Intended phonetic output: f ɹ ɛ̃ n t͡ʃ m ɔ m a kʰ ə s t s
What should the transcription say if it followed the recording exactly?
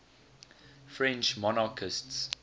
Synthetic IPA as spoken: f ɹ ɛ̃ n t͡ʃ m ɔ n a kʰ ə s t s